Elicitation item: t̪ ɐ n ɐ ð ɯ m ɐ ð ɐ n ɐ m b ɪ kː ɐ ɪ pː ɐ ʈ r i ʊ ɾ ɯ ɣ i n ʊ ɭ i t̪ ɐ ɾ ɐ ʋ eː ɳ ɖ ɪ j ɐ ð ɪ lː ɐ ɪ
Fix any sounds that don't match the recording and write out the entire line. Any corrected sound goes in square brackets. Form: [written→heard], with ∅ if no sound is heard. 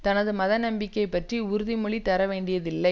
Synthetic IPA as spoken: t̪ ɐ n ɐ ð ɯ m ɐ ð ɐ n ɐ m b ɪ kː ɐ ɪ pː ɐ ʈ r i ʊ ɾ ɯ [ɣ→ð] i [n→m] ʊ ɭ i t̪ ɐ ɾ ɐ ʋ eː ɳ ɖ ɪ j ɐ ð ɪ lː ɐ ɪ